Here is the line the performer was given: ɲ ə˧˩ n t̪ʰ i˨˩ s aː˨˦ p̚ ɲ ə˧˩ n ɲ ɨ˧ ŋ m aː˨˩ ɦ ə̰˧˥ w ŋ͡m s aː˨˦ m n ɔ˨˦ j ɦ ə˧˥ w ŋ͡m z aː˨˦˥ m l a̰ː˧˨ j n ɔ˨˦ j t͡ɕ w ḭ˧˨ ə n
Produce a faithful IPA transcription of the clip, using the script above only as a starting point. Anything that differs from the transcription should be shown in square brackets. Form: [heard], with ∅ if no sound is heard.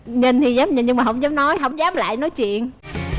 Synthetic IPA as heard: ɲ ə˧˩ n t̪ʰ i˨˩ [z] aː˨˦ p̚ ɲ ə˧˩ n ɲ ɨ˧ ŋ m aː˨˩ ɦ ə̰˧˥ w ŋ͡m [z] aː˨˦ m n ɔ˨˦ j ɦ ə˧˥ w ŋ͡m z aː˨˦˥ m l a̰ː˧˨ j n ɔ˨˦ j t͡ɕ w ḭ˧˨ ə n